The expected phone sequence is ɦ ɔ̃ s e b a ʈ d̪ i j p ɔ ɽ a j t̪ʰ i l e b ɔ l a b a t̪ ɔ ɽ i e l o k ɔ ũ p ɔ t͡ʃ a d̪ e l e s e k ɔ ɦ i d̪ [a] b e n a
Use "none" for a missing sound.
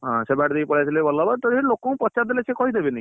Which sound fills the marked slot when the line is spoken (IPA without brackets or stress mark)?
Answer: e